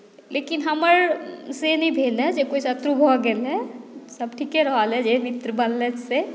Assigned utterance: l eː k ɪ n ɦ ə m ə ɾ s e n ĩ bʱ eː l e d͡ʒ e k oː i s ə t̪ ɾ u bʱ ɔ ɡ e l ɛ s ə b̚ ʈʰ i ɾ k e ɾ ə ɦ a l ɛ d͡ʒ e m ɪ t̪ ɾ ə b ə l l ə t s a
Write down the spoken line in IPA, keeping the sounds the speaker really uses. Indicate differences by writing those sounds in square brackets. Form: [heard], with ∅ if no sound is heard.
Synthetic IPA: l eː k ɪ n ɦ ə m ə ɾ s e n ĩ bʱ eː l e d͡ʒ e k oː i s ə t̪ ɾ u bʱ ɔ ɡ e l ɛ s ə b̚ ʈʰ i [∅] k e ɾ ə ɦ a l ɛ d͡ʒ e m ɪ t̪ ɾ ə b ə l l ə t s [e]